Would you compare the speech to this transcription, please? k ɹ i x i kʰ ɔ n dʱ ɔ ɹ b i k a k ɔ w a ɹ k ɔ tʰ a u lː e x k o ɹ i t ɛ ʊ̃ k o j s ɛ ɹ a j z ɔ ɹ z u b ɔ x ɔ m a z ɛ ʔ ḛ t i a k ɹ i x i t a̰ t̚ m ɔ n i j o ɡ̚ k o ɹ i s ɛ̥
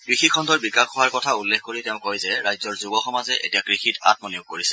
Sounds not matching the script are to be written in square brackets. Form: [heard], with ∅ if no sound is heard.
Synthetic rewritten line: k ɹ i x i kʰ ɔ n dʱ ɔ ɹ b i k a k ɔ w a ɹ k ɔ tʰ a u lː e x k o ɹ i t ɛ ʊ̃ k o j [z] ɛ ɹ a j z ɔ ɹ z u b ɔ x ɔ m a z ɛ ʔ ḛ t i a k ɹ i x i t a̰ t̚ m ɔ n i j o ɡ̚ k o ɹ i s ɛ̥

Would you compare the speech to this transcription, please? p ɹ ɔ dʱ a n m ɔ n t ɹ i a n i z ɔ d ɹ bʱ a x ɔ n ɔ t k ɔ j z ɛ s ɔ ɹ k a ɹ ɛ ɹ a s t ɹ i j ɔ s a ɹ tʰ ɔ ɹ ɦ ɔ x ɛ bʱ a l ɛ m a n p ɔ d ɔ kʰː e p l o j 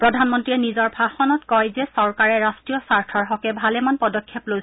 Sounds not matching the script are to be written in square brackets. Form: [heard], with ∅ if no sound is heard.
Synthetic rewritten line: p ɹ ɔ dʱ a n m ɔ n t ɹ i [ɛ] n i z ɔ [∅] ɹ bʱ a x ɔ n ɔ t k ɔ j z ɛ s ɔ ɹ k a ɹ ɛ ɹ a s t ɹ i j ɔ s a ɹ tʰ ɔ ɹ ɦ ɔ [k] ɛ bʱ a l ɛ m a n p ɔ d ɔ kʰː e p l o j

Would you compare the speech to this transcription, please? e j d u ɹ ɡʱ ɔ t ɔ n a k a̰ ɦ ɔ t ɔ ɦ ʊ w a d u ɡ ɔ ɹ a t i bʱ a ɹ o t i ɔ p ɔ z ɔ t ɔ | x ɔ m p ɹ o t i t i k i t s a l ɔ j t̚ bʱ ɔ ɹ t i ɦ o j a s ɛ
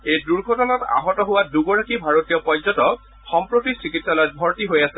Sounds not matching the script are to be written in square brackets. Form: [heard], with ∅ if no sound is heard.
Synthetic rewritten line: e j d u ɹ ɡʱ ɔ t ɔ n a [t] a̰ ɦ ɔ t ɔ ɦ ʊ w a d u ɡ ɔ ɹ a [k] i bʱ a ɹ o t i ɔ p ɔ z ɔ t ɔ | x ɔ m p ɹ o t i [s] i k i t s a l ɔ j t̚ bʱ ɔ ɹ t i ɦ o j a s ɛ

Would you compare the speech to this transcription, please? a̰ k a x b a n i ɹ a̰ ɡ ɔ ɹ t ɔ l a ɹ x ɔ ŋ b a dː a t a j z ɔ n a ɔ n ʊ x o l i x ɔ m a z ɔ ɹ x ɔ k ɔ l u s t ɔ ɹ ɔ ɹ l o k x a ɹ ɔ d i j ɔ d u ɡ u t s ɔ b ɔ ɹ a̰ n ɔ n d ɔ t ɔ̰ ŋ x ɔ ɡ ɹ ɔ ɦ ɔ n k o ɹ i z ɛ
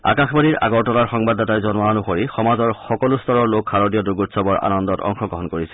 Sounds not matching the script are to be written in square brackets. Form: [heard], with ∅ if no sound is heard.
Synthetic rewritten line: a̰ k a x b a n i ɹ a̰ ɡ ɔ ɹ t ɔ l a ɹ x ɔ ŋ b a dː a t a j z ɔ n a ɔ n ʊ x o [ɹ] i x ɔ m a z ɔ ɹ x ɔ k ɔ l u s t ɔ ɹ ɔ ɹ l o k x a ɹ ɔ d i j ɔ d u ɡ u t s ɔ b ɔ ɹ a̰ n ɔ n d ɔ t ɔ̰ ŋ x ɔ ɡ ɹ ɔ ɦ ɔ n k o ɹ i [s] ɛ

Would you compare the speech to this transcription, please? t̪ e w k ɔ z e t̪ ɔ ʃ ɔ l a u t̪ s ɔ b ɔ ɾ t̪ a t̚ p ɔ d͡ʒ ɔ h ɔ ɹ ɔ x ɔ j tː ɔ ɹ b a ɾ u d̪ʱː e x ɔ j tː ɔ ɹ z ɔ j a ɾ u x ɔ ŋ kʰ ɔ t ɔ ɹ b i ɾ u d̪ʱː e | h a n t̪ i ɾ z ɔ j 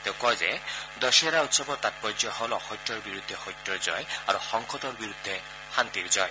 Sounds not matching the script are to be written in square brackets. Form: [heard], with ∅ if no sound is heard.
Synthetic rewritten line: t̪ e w k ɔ z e [d̪] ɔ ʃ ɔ [ɾ] a u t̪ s ɔ b ɔ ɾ t̪ a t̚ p ɔ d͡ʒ ɔ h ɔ [l] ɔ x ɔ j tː ɔ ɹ b [i] ɾ u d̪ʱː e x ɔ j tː ɔ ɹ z ɔ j a ɾ u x ɔ ŋ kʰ ɔ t ɔ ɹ b i ɾ u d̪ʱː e | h a n t̪ i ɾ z ɔ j

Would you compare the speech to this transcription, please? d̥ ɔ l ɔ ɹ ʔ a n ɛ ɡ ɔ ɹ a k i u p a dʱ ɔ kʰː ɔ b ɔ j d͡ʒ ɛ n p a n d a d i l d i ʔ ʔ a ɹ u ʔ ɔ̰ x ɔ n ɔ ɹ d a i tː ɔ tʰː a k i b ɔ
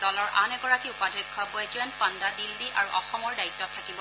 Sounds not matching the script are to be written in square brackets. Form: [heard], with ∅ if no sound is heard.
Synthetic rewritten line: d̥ ɔ l ɔ ɹ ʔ a n ɛ ɡ ɔ ɹ a k i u p a dʱ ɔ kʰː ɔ b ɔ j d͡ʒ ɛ n p a n d a d i l d i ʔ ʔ a ɹ u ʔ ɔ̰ x ɔ [m] ɔ ɹ d a i tː ɔ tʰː a k i b ɔ

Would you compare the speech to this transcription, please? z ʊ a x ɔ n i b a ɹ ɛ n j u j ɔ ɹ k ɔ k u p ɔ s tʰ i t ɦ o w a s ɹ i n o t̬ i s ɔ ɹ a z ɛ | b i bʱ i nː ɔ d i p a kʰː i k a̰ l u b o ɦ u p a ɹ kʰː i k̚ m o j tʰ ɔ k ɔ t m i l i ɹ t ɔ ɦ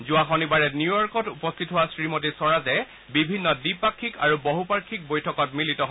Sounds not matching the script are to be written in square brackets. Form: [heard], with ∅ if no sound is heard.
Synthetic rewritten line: z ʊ a x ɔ n i b a ɹ ɛ n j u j ɔ ɹ k ɔ [t] u p ɔ s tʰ i t ɦ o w a s ɹ i [m] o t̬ i s ɔ ɹ a z ɛ | b i bʱ i nː ɔ d i p a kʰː i k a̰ [ɹ] u b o ɦ u p a ɹ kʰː i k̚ [b] o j tʰ ɔ k ɔ t m i l i [∅] t ɔ ɦ

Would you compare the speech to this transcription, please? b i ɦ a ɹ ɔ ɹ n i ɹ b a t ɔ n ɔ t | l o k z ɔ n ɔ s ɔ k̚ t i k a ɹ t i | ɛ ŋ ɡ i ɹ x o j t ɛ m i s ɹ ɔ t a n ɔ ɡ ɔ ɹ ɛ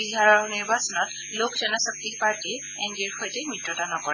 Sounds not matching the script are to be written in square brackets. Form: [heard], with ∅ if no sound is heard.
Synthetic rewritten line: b i ɦ a ɹ ɔ ɹ n i ɹ b a [s] ɔ n ɔ t | l o k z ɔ n ɔ s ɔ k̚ t i [p] a ɹ t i | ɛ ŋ ɡ i ɹ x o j t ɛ m i [t] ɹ ɔ t a n ɔ [k] ɔ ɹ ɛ

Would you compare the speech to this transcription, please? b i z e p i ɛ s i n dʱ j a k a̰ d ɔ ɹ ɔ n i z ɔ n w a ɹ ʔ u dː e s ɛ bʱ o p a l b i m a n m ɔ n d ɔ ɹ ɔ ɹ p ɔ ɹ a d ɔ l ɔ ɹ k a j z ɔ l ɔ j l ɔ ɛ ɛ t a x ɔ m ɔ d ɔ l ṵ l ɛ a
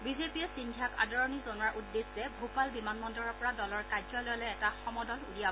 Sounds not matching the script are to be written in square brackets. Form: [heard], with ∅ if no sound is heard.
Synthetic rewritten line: b i z e p i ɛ s i n dʱ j a k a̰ d ɔ ɹ ɔ n i z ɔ n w a ɹ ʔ u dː e s ɛ bʱ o p a l b i m a n m ɔ n d ɔ ɹ ɔ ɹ p ɔ ɹ a d ɔ l ɔ ɹ k a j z ɔ l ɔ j l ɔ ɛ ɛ t a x ɔ m ɔ d ɔ l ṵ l [i] a

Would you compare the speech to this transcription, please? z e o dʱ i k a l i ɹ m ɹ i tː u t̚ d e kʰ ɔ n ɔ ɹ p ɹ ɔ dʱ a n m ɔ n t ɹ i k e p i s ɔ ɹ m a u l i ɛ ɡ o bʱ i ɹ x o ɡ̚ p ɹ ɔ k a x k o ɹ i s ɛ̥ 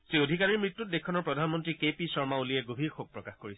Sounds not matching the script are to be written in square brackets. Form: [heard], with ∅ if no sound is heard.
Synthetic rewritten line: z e o dʱ i k a [ɹ] i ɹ m ɹ i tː u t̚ d e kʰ ɔ n ɔ ɹ p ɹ ɔ dʱ a n m ɔ n t ɹ i k e p i s ɔ ɹ m a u l i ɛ ɡ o bʱ i ɹ x o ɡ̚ p ɹ ɔ k a x k o ɹ i s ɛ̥

